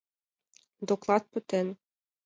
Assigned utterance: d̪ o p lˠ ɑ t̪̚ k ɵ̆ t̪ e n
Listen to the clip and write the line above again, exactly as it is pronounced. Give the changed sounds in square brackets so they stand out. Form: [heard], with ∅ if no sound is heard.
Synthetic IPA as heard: d̪ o [k] lˠ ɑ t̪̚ [p] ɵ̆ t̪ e n